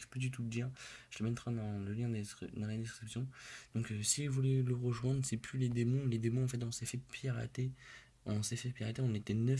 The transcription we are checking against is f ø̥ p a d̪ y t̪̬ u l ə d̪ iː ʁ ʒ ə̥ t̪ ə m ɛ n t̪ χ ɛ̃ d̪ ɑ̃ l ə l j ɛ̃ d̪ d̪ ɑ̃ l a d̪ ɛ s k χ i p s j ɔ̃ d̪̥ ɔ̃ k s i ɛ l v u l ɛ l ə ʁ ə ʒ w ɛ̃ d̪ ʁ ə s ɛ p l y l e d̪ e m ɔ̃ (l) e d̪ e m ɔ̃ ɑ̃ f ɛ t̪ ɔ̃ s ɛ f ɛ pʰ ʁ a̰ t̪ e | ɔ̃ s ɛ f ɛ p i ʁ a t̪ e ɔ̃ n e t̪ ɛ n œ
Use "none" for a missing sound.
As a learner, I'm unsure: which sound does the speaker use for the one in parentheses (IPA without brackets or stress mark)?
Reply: l